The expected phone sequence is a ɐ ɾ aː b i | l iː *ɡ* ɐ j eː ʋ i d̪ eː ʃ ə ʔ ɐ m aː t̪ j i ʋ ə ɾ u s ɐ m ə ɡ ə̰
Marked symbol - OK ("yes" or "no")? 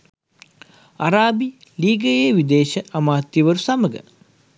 yes